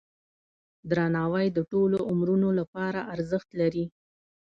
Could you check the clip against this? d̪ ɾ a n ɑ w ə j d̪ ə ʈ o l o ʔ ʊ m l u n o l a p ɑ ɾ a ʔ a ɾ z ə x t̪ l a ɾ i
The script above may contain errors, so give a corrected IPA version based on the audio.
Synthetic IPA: d̪ ɾ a n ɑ w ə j d̪ ə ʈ o l o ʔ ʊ m ɾ u n o l a p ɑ ɾ a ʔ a ɾ z ə x t̪ l a ɾ i